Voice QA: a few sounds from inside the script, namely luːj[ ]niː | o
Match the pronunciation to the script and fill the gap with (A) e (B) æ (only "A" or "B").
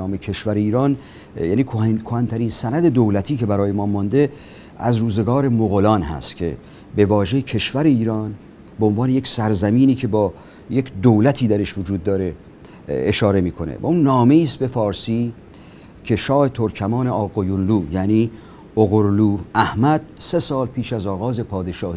B